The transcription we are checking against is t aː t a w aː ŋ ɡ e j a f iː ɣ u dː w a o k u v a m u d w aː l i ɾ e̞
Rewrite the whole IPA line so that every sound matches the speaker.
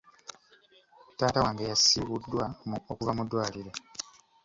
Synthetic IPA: t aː t a w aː ŋ ɡ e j a s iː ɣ u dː w a o k u v a m u d w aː l i ɾ e̞